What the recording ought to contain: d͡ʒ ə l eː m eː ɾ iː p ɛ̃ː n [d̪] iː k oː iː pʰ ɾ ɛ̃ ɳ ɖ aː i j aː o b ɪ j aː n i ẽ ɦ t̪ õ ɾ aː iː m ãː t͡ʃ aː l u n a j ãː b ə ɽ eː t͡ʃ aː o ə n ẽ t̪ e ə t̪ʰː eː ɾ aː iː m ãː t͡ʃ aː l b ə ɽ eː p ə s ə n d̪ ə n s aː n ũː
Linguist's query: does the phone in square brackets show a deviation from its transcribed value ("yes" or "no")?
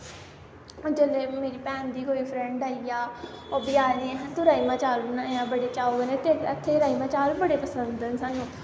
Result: no